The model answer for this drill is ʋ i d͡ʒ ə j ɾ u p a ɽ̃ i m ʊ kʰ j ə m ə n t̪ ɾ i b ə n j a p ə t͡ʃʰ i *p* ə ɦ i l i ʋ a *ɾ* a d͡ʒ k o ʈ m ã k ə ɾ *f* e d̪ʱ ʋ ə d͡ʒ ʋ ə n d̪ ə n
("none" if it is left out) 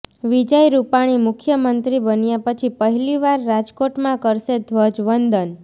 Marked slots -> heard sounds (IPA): p, ɾː, ʃ

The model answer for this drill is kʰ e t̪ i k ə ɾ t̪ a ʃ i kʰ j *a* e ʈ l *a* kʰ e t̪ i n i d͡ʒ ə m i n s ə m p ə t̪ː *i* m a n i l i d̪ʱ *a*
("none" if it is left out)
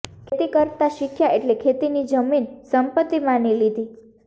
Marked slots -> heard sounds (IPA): a, e, i, i

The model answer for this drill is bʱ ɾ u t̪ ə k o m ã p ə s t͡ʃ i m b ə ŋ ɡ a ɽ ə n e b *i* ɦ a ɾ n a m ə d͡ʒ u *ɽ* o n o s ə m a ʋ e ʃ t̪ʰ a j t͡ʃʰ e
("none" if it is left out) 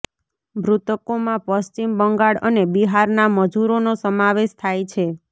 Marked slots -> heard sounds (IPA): i, ɾ

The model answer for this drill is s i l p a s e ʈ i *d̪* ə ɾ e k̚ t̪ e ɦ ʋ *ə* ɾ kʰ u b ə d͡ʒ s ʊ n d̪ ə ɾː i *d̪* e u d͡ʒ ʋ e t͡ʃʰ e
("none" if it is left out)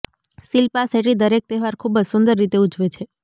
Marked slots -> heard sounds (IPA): d̪, a, t̪

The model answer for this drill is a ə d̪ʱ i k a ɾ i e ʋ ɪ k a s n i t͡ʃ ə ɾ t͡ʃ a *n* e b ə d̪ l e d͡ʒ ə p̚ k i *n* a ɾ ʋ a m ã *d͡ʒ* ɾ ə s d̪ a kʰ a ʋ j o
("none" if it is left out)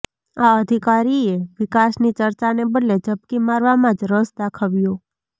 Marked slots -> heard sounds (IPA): n, m, d͡ʒ

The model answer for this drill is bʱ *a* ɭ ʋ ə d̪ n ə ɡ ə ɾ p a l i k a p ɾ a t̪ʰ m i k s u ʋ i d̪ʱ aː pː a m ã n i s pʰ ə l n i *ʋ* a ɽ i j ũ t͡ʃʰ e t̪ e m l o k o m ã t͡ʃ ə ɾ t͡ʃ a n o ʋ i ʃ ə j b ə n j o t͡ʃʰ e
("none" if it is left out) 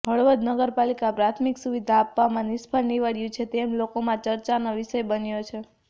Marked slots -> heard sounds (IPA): ə, ʋ

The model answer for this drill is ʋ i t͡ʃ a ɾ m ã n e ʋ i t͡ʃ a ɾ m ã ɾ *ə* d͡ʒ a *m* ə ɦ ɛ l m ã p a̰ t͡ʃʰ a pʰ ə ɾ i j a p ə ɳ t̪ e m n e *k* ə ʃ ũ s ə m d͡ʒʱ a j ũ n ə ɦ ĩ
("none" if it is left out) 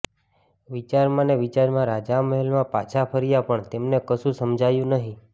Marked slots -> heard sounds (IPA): a, m, k

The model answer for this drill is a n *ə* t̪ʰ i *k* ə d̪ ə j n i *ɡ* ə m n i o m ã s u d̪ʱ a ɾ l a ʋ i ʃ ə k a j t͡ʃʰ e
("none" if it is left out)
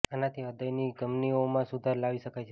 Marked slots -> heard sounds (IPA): a, none, ɡ

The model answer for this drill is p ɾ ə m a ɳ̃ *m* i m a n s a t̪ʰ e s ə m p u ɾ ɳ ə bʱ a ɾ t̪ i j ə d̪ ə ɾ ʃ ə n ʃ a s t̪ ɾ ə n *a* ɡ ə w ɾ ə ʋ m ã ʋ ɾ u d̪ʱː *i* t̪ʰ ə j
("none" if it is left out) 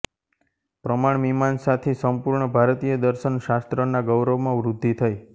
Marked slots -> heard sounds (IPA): m, a, i

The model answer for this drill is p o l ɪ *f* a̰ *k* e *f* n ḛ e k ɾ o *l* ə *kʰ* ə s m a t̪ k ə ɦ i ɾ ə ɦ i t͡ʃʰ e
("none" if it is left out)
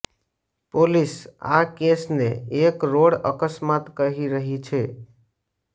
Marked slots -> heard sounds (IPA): s, k, s, ɽ, k

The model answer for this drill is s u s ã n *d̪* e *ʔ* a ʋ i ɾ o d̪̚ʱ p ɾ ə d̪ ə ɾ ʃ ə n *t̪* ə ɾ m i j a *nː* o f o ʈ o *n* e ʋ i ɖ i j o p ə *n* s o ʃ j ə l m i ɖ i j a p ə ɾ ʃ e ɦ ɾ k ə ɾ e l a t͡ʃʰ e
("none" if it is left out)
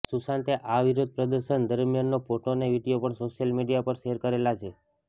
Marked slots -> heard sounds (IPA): t̪, ʔ, d̪, nː, n, ɳ

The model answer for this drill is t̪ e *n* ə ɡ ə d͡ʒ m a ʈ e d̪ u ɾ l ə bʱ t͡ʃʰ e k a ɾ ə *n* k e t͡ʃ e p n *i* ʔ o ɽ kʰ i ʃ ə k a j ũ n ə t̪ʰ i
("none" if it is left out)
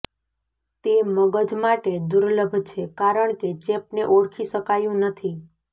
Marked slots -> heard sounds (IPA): m, ɳ, e

